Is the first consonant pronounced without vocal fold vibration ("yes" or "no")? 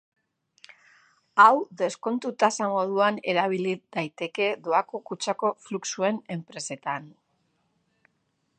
no